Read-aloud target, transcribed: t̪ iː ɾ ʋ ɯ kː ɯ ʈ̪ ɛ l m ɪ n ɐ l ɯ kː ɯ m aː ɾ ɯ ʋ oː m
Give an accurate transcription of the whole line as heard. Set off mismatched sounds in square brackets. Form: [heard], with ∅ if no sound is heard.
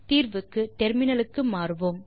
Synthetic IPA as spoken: t̪ iː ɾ ʋ ɯ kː ɯ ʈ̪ ɛ [ɾ] m ɪ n ɐ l ɯ kː ɯ m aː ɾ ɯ ʋ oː m